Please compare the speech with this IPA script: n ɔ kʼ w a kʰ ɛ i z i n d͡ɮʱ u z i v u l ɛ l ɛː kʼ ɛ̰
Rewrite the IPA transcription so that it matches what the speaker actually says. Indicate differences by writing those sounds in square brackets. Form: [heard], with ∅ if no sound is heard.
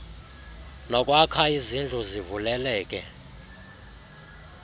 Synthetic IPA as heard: n ɔ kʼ w a kʰ [a] i z i n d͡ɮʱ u z i v u l ɛ l ɛː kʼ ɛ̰